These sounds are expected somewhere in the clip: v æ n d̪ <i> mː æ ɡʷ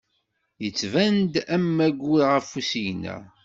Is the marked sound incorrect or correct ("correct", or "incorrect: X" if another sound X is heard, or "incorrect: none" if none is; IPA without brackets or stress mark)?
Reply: incorrect: æ